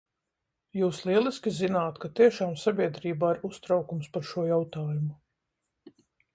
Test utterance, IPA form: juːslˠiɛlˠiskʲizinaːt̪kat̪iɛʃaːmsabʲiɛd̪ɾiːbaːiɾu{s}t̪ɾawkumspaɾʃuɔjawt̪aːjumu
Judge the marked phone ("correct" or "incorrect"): correct